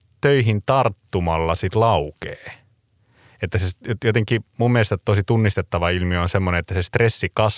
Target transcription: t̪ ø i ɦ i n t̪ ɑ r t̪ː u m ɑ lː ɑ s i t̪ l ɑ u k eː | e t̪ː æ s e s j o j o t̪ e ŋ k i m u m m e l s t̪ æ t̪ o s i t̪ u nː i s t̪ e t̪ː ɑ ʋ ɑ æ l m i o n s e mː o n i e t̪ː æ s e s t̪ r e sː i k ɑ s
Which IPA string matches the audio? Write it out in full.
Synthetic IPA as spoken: t̪ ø i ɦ i n t̪ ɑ r t̪ː u m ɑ lː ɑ s i t̪ l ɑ u k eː | e t̪ː æ s e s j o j o t̪ e ŋ k i m u m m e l s t̪ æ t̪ o s i t̪ u nː i s t̪ e t̪ː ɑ ʋ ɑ i l m i o n s e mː o n e e t̪ː æ s e s t̪ r e sː i k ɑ s